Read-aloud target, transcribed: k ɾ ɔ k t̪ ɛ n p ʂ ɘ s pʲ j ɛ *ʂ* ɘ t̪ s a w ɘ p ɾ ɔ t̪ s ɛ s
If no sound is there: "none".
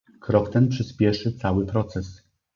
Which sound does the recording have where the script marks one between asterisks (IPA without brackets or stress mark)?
ʂ